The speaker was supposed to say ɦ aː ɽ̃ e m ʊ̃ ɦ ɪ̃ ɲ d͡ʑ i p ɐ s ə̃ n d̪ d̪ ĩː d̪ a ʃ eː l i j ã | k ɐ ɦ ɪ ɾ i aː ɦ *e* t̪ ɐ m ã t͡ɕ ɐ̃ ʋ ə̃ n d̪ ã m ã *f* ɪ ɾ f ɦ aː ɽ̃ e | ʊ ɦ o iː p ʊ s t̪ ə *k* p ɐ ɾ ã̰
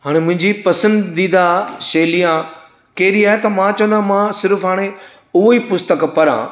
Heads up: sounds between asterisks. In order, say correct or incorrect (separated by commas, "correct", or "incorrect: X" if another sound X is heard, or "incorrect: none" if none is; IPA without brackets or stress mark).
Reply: correct, incorrect: s, correct